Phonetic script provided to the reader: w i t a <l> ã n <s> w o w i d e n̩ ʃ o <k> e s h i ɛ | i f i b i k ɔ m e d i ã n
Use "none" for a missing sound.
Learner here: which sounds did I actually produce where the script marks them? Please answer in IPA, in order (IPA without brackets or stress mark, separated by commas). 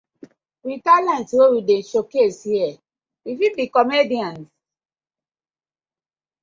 l, t, k